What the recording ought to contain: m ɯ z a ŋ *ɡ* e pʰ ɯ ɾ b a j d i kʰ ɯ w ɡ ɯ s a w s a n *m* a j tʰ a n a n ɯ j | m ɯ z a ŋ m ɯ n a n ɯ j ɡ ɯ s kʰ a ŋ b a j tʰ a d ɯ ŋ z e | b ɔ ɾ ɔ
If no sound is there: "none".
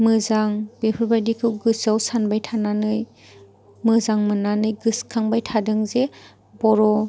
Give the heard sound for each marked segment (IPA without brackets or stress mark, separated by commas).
b, b